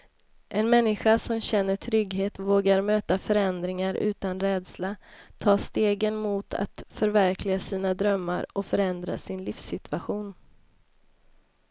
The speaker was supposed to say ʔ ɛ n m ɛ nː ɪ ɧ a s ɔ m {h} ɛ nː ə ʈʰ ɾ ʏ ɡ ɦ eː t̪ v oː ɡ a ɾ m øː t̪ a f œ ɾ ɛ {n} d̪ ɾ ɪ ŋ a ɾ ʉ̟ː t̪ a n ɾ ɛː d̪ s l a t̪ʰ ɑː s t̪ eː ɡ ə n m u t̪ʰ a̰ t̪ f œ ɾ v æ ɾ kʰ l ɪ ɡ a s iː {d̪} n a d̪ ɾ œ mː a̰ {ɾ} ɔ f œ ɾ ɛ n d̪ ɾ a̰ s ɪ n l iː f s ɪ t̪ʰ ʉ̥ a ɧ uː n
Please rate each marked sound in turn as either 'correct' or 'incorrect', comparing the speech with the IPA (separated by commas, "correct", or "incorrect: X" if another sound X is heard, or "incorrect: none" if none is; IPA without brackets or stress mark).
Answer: incorrect: ɕ, correct, incorrect: none, correct